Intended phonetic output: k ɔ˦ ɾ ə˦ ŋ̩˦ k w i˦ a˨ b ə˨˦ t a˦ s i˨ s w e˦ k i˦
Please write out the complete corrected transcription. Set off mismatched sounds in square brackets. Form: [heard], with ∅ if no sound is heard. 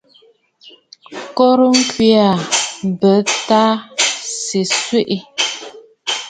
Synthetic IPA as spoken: k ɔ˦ ɾ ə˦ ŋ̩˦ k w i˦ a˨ b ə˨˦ t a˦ s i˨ s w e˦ [ʔ] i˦